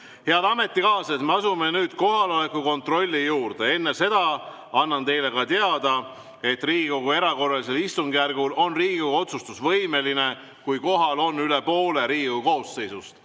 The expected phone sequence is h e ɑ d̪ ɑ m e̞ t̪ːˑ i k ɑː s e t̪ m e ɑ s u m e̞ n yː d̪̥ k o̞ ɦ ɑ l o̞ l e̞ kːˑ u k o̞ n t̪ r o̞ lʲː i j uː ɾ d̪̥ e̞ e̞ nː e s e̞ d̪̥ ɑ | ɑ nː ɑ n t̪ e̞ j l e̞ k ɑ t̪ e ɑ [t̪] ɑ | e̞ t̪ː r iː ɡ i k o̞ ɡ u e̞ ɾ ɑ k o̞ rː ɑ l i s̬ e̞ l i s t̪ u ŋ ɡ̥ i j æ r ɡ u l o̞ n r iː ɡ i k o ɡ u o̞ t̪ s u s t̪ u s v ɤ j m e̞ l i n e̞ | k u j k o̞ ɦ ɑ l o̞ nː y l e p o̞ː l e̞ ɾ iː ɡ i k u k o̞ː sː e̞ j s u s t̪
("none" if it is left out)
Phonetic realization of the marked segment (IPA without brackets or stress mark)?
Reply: d̪